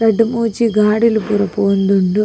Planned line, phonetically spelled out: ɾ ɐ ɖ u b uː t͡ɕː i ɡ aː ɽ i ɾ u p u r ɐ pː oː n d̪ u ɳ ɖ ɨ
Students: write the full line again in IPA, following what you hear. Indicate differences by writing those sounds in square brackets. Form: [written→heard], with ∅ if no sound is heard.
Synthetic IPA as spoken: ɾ ɐ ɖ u [b→m] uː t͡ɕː i ɡ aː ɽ i [ɾ→l] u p u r ɐ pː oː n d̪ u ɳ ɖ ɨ